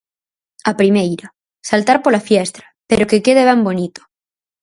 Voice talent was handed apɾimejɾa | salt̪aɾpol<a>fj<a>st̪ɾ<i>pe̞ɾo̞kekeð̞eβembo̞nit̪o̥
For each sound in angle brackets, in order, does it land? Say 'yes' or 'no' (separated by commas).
yes, no, no